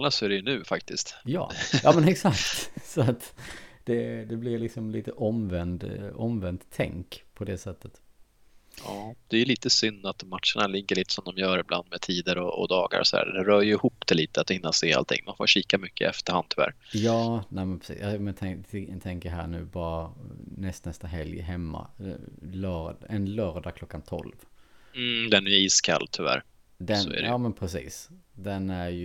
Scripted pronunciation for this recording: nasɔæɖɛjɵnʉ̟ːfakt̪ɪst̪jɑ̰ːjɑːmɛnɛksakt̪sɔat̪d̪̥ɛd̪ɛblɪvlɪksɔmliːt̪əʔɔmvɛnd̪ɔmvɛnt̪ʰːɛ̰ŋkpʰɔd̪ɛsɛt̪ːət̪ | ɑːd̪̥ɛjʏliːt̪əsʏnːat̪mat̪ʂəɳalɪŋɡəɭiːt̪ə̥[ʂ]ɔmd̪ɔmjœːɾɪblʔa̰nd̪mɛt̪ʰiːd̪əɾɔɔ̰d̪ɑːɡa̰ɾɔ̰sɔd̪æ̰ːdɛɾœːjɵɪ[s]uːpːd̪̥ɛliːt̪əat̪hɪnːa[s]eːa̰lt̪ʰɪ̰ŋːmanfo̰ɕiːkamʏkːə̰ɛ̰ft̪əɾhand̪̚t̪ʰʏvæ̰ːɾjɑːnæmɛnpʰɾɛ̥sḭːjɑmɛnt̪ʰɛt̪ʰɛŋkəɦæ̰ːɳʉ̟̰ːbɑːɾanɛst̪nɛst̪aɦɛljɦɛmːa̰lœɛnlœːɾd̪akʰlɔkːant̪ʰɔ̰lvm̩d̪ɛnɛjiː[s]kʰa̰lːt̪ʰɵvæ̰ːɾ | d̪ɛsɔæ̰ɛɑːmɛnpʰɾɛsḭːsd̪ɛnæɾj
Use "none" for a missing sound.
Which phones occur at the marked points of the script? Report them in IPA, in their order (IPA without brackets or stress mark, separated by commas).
s, h, s, s